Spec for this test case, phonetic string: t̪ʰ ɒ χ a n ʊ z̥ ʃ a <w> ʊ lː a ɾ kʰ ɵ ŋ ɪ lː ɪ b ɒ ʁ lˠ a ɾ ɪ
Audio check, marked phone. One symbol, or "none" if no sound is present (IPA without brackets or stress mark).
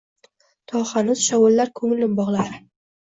w